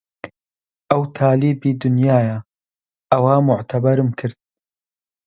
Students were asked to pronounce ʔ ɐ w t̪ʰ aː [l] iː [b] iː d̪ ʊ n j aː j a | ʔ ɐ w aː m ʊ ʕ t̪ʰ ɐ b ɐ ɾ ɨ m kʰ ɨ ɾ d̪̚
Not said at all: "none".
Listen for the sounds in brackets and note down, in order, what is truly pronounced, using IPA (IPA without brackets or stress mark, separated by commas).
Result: l, b